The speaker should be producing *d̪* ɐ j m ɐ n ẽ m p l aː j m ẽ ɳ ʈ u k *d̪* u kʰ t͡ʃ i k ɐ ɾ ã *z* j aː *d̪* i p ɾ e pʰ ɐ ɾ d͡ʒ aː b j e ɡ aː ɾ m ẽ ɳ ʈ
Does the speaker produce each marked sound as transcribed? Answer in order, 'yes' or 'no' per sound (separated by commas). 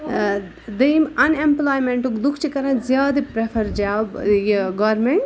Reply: yes, yes, yes, yes